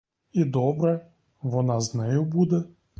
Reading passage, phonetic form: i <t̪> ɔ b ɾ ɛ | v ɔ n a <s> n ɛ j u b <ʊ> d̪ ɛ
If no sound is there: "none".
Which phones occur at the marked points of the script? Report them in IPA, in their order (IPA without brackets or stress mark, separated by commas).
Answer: d̪, z, u